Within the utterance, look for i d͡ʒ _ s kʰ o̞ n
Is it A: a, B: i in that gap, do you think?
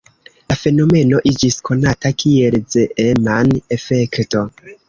B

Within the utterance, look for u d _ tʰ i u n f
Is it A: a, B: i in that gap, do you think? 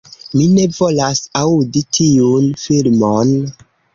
B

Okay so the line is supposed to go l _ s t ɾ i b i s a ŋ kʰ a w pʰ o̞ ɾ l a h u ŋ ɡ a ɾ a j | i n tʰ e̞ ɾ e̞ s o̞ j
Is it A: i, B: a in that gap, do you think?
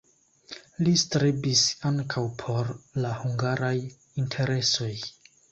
A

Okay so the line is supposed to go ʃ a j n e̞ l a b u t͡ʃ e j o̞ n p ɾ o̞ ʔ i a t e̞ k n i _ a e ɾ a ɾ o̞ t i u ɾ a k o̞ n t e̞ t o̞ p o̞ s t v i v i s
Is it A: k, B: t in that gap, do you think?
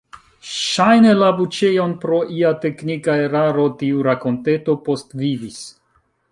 A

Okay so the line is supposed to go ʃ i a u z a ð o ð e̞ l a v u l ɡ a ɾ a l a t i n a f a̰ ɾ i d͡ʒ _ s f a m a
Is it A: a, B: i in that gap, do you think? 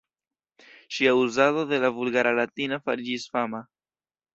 B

